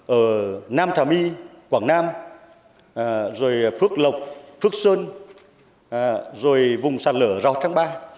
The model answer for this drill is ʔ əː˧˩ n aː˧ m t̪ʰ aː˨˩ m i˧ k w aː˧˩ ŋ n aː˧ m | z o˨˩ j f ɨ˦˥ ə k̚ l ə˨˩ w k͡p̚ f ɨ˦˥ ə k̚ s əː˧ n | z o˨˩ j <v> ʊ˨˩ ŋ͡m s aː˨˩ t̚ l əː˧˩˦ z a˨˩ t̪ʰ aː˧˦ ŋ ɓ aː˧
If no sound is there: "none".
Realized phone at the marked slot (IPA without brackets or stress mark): v